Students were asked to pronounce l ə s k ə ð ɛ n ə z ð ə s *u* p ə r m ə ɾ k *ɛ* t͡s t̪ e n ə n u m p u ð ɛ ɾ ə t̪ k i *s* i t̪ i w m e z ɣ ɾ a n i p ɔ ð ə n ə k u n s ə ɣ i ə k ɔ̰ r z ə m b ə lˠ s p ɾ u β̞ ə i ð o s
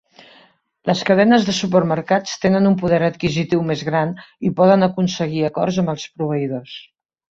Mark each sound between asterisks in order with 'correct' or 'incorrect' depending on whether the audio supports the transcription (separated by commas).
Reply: correct, incorrect, incorrect